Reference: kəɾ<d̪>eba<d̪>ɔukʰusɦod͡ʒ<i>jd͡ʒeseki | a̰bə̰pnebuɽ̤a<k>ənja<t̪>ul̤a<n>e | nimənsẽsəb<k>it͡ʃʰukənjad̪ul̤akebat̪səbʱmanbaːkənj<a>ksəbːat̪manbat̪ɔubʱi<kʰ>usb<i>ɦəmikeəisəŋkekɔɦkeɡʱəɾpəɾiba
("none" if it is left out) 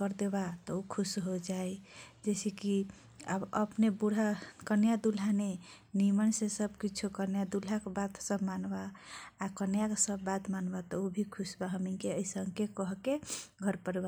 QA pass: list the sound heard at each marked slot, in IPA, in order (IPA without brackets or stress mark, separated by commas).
d̪, t̪, a, k, d̪, n, k, a, kʰ, a